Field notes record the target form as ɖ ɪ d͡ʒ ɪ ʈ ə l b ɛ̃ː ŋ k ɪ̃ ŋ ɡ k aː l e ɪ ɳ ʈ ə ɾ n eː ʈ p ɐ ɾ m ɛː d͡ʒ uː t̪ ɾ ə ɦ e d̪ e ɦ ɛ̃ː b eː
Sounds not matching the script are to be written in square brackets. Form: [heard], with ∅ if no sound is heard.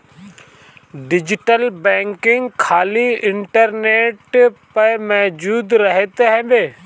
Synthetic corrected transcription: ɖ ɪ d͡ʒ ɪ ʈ ə l b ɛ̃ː ŋ k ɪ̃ ŋ ɡ [kʰ] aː l [i] ɪ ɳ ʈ ə ɾ n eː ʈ p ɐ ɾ m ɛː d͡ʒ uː [d̪] ɾ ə ɦ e [t̪] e ɦ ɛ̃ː b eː